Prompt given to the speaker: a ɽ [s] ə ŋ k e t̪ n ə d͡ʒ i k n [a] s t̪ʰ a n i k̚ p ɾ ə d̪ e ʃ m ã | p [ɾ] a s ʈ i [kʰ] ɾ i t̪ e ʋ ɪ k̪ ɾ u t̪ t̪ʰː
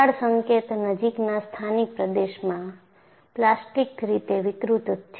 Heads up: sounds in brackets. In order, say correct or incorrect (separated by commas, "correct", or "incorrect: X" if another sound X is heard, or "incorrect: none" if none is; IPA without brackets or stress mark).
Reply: correct, correct, incorrect: l, incorrect: k